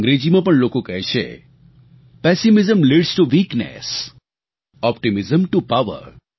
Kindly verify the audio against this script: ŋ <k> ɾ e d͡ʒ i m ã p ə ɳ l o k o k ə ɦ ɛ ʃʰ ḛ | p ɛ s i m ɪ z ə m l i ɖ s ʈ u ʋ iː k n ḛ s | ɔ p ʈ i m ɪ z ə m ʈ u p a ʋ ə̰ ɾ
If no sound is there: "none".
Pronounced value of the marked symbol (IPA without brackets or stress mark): ɡ